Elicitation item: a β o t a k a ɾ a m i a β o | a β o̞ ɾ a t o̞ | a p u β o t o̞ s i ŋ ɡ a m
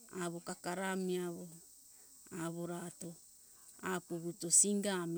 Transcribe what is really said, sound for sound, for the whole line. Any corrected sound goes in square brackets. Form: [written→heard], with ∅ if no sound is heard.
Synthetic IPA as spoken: a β o [t→k] a k a ɾ a m i a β o | a β o̞ ɾ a t o̞ | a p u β [o→u] t o̞ s i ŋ ɡ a m